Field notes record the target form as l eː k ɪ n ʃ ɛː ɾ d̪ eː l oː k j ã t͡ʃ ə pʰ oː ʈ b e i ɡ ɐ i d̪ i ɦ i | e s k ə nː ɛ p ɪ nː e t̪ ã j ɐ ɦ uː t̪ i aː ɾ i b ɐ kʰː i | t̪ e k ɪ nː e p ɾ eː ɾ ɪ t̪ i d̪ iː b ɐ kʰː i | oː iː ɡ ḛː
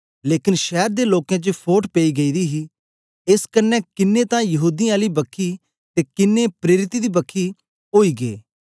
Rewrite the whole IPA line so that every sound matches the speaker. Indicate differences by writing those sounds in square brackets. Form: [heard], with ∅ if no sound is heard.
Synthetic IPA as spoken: l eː k ɪ n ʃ ɛː ɾ d̪ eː l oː k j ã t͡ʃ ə pʰ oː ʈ [p] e i ɡ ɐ i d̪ i ɦ i | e s k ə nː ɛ [k] ɪ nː e t̪ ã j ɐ ɦ uː [d̪] i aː [l] i b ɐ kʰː i | t̪ e k ɪ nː e p ɾ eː ɾ ɪ t̪ i d̪ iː b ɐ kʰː i | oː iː ɡ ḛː